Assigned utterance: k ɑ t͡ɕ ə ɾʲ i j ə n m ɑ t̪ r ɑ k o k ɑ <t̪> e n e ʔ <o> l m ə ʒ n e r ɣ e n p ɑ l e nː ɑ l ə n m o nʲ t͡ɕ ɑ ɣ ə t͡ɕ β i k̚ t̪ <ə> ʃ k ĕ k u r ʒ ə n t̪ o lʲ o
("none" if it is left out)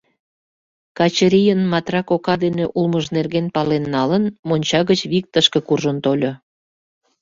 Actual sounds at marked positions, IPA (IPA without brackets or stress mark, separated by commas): d̪, u, ə